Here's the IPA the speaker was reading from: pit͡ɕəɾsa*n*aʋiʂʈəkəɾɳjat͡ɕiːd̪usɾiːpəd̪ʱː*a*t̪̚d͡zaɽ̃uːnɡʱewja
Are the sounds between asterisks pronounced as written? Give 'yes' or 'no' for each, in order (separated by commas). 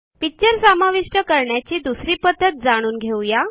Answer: no, no